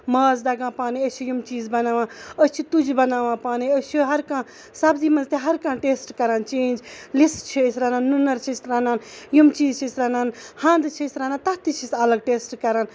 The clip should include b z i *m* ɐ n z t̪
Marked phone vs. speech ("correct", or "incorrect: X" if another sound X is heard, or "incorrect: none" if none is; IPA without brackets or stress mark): correct